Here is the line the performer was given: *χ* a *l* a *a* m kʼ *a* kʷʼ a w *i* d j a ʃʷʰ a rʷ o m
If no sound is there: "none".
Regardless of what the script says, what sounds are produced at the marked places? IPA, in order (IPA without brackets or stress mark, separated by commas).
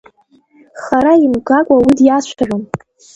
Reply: χ, ɾ, i, a, i